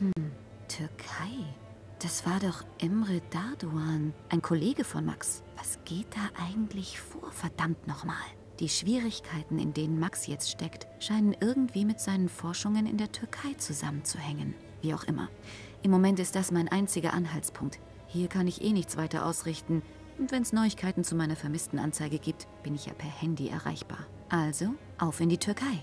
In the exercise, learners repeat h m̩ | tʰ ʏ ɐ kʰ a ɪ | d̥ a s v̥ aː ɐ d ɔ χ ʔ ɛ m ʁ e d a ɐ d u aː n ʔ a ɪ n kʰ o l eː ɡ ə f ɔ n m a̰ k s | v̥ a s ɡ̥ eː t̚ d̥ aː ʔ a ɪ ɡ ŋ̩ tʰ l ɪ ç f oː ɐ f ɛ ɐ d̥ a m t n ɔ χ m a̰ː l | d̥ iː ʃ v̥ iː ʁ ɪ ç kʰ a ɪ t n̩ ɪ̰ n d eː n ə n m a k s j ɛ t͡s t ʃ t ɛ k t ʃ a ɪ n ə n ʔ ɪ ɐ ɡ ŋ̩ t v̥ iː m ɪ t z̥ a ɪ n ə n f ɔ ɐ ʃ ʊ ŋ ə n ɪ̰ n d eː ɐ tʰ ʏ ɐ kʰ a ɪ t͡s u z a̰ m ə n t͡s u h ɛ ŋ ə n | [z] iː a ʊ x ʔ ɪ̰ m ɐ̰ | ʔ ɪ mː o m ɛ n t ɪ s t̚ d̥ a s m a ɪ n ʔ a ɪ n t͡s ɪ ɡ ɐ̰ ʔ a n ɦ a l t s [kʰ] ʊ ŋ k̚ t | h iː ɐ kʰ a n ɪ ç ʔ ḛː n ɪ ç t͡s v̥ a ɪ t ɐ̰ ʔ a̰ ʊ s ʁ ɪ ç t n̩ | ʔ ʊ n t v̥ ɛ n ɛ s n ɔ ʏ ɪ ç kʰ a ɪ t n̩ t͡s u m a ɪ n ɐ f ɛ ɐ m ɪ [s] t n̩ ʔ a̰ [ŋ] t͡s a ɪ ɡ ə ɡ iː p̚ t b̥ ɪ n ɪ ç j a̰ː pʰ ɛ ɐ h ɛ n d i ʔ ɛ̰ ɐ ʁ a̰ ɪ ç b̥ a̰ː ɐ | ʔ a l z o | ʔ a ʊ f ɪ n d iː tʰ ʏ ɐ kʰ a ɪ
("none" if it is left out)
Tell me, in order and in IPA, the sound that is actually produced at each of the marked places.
v, pʰ, s, n

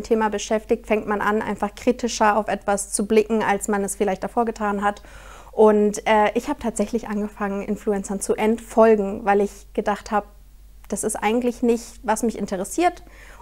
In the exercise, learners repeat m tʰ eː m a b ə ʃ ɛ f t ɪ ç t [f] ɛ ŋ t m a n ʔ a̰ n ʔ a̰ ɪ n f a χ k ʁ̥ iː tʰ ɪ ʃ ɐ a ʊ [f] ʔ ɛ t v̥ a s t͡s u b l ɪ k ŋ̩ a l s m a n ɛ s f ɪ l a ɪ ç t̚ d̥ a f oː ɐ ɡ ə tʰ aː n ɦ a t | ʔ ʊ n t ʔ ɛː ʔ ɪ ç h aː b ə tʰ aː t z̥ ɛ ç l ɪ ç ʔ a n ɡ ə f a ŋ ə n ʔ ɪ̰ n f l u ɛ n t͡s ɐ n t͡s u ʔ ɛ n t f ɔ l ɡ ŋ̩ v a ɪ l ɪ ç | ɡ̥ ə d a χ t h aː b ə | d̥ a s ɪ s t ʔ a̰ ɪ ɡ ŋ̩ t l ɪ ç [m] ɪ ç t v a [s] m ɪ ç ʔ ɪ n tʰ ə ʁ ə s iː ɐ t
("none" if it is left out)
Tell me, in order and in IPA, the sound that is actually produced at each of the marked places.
f, f, n, s

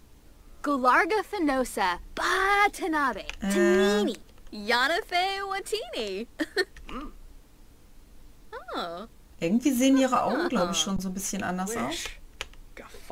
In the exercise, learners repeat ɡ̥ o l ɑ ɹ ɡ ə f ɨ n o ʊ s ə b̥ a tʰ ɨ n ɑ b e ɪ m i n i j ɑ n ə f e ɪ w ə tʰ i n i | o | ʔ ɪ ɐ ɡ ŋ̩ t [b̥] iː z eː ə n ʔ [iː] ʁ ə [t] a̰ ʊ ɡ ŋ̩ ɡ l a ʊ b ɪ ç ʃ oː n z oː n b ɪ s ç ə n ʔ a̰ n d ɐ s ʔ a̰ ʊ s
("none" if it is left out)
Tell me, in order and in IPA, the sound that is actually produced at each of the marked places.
v̥, iː, ʔ

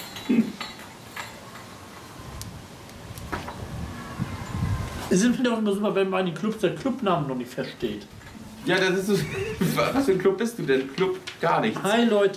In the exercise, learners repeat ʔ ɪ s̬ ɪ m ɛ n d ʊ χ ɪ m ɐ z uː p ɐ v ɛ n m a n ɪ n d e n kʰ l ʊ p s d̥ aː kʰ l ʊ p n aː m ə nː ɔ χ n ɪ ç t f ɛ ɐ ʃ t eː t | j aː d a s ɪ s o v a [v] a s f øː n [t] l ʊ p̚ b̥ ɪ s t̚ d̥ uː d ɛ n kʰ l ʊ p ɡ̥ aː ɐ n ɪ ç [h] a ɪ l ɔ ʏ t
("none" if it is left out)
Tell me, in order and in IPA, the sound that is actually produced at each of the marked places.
v, k, h

